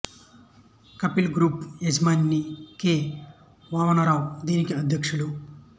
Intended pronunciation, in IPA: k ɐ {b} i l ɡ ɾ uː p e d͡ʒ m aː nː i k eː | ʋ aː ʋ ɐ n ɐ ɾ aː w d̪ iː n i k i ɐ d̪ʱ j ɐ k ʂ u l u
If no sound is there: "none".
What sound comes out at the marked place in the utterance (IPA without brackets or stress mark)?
p